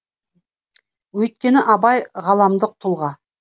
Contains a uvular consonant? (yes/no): yes